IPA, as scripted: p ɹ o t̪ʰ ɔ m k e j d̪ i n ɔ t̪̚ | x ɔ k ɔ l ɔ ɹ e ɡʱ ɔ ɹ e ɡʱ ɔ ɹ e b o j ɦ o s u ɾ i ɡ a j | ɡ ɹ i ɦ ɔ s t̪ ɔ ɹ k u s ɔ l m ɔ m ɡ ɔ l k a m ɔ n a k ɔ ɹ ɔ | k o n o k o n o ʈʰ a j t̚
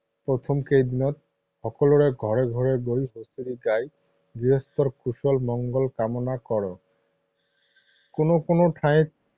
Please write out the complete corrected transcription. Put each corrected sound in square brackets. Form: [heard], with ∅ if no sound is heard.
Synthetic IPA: p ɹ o t̪ʰ ɔ m k e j d̪ i n ɔ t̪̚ | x ɔ k ɔ l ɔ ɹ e ɡʱ ɔ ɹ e ɡʱ ɔ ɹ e [ɡ] o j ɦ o s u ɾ i ɡ a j | ɡ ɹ i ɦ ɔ s t̪ ɔ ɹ k u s ɔ l m ɔ [ŋ] ɡ ɔ l k a m ɔ n a k ɔ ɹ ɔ | k o n o k o n o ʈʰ a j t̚

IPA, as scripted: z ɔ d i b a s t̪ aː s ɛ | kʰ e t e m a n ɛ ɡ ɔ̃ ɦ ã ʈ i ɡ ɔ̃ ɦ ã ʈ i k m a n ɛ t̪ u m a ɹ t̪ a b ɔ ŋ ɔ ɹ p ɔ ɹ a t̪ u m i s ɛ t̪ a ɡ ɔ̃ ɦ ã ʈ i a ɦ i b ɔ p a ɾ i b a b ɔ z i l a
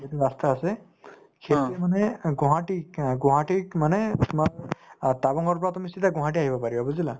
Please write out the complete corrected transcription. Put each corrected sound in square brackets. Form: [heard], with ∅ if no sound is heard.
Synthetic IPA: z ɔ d i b a s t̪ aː s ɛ | kʰ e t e m a n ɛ ɡ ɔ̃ ɦ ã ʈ i ɡ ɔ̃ ɦ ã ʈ i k m a n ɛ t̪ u m a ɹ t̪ a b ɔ ŋ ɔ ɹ p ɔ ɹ a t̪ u m i s [i] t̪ a ɡ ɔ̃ ɦ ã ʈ i a ɦ i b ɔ p a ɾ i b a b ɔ z i l a

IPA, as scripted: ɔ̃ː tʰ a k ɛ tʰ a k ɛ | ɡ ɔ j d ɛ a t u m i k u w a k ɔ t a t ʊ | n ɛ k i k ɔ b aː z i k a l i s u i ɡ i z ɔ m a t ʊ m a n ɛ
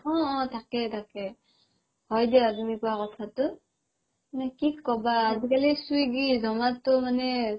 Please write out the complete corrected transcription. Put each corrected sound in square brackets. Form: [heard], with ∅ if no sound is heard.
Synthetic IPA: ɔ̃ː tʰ a k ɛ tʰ a k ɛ | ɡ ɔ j d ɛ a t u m i k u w a k ɔ [tʰ] a t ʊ | n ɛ k i k ɔ b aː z i k a l i s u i ɡ i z ɔ m a t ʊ m a n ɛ

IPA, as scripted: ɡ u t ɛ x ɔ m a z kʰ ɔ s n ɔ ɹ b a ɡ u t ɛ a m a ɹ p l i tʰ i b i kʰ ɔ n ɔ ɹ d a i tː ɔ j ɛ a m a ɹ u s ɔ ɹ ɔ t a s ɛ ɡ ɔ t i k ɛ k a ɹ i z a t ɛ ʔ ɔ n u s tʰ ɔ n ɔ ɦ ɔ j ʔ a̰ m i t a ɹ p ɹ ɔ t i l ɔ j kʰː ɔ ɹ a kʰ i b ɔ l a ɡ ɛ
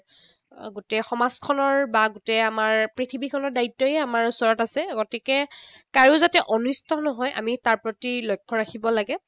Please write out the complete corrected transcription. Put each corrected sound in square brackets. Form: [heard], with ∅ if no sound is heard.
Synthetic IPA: ɡ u t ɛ x ɔ m a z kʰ ɔ [∅] n ɔ ɹ b a ɡ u t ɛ a m a ɹ p [ɹ] i tʰ i b i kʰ ɔ n ɔ ɹ d a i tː ɔ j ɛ a m a ɹ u s ɔ ɹ ɔ t a s ɛ ɡ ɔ t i k ɛ k a ɹ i z a t ɛ ʔ ɔ n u s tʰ ɔ n ɔ ɦ ɔ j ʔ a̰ m i t a ɹ p ɹ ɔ t i l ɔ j kʰː ɔ ɹ a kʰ i b ɔ l a ɡ ɛ

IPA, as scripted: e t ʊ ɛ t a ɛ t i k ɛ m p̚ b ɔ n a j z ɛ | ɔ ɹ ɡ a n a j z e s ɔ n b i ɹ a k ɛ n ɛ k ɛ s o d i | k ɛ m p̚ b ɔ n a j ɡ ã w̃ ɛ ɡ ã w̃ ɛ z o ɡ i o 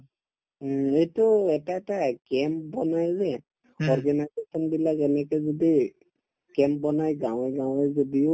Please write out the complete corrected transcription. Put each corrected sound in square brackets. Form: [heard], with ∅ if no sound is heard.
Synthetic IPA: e t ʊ ɛ t a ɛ t [a] k ɛ m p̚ b ɔ n a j z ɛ | ɔ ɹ ɡ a n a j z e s ɔ n b i [l] a k ɛ n ɛ k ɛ [z] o d i | k ɛ m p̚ b ɔ n a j ɡ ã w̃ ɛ ɡ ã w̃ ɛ z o [d] i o

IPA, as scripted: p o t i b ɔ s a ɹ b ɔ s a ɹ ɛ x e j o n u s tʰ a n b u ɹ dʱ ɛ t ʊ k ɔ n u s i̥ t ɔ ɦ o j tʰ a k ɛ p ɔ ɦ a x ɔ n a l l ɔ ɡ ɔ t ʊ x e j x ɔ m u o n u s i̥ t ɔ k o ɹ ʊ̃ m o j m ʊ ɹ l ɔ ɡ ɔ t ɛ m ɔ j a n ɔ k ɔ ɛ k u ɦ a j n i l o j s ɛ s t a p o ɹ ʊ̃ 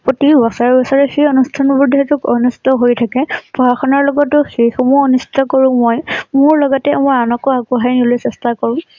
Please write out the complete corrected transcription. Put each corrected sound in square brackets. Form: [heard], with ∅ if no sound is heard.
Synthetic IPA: p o t i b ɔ s a ɹ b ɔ s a ɹ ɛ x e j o n u s tʰ a n b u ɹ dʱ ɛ t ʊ k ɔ n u s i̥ t ɔ ɦ o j tʰ a k ɛ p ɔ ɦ a x ɔ n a [ɹ] l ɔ ɡ ɔ t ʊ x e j x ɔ m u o n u s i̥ t ɔ k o ɹ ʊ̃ m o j m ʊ ɹ l ɔ ɡ ɔ t ɛ m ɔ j a n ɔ k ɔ [a] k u ɦ a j n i l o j s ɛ s t a [k] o ɹ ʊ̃

